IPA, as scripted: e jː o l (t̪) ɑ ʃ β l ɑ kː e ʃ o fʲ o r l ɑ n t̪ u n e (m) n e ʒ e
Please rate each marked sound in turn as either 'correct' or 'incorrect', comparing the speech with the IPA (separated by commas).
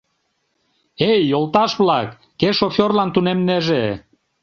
correct, correct